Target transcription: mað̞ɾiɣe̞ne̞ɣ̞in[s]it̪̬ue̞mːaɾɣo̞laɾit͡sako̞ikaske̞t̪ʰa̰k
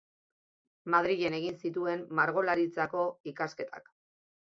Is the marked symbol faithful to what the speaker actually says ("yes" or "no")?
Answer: yes